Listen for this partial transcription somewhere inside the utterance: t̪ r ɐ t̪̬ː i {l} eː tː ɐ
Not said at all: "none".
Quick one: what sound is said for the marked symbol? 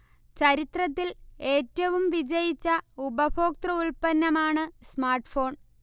l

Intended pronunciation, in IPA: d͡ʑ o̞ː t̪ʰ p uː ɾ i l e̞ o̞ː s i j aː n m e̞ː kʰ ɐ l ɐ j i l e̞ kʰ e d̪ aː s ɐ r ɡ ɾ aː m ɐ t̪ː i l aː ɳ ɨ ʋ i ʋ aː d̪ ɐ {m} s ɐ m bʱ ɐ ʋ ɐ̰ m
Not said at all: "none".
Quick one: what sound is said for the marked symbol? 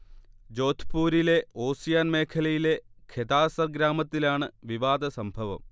none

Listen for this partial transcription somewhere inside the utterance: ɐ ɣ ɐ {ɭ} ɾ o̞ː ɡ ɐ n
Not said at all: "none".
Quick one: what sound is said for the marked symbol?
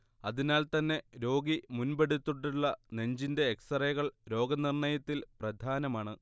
ɭ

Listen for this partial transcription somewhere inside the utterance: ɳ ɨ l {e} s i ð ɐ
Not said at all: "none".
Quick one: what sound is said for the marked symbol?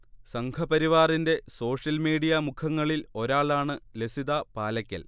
e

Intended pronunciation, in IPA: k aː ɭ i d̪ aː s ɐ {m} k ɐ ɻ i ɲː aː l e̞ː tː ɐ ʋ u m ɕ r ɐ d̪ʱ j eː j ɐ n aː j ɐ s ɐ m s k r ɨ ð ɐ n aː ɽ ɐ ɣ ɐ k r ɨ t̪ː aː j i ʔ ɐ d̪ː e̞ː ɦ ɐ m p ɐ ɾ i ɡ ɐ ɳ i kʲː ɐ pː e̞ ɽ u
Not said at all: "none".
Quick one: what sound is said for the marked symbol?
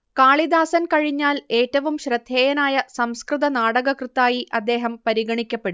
n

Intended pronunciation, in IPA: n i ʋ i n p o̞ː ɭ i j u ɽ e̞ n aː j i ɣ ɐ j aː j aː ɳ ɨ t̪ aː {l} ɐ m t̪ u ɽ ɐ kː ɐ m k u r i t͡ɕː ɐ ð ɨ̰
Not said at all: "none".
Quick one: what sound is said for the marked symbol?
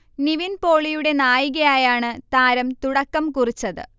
ɾ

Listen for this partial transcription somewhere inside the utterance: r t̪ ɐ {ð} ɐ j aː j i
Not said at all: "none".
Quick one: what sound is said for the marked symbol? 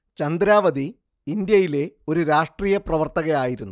ɣ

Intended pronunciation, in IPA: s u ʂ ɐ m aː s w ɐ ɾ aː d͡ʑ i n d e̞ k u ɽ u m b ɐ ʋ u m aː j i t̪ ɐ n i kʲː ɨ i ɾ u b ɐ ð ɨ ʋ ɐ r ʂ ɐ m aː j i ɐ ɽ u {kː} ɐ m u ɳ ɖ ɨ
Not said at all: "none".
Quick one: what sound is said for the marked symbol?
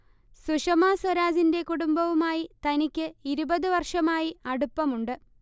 pː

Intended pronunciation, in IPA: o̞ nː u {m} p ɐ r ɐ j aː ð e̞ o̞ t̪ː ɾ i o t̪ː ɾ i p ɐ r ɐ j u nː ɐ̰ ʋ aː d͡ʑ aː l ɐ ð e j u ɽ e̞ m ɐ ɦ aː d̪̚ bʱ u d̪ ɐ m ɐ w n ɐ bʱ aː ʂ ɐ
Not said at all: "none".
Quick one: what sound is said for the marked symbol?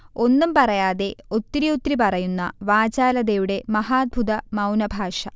m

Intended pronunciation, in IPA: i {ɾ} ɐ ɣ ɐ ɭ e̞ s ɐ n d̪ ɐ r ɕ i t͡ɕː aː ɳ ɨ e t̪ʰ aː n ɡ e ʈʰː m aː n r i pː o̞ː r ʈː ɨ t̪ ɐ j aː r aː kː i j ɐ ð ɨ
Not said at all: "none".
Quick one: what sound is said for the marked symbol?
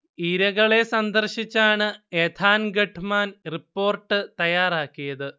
ɾ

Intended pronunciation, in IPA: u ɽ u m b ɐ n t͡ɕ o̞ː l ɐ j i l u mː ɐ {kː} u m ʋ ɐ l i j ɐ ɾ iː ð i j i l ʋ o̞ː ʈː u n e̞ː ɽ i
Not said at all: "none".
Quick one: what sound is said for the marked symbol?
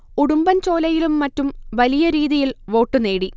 tː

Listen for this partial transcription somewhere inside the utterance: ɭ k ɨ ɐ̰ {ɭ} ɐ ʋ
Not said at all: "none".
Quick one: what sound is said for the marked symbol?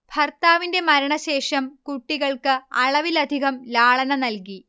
ɭ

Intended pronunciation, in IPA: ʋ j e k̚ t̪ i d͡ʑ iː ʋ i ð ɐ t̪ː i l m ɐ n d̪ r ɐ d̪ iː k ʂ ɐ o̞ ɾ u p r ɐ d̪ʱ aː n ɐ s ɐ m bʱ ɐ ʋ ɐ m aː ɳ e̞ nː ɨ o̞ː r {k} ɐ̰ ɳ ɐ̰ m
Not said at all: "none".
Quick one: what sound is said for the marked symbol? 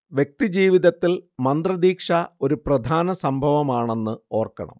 k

